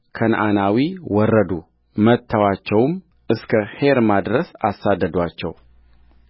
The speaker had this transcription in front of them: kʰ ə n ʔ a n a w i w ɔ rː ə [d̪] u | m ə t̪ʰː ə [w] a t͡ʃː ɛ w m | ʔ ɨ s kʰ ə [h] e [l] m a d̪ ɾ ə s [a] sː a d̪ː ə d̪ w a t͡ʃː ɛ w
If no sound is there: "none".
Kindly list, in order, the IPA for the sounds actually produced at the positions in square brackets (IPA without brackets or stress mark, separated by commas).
d̪, w, h, ɾ, a